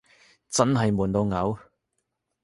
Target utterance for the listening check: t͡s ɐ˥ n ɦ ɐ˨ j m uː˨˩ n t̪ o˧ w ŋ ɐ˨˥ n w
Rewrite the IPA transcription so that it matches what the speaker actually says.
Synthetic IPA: t͡s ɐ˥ n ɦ ɐ˨ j m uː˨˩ n t̪ o˧ w ŋ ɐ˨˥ w